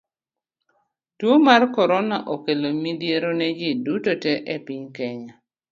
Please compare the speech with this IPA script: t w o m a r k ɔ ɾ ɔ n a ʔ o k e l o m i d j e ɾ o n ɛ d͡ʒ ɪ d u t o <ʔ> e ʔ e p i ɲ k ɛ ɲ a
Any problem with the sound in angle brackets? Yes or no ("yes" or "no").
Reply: yes